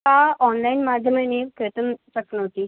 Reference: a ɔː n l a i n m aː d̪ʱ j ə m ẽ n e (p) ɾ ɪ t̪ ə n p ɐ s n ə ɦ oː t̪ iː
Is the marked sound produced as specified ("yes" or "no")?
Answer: no